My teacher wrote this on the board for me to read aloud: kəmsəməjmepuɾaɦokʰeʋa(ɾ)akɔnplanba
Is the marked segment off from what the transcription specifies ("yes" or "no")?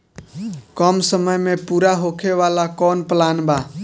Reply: yes